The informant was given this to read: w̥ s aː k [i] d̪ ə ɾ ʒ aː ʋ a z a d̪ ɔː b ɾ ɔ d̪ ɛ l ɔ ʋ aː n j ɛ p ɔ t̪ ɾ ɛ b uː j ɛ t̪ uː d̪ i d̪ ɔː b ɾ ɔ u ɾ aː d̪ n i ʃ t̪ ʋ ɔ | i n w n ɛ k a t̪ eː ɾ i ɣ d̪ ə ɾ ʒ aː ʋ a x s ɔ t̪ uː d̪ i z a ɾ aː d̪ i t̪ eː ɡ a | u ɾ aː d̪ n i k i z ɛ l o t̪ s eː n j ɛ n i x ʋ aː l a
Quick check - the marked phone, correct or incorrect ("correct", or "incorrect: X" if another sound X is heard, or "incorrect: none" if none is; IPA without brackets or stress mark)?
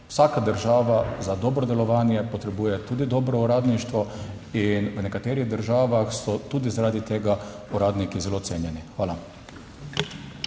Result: incorrect: a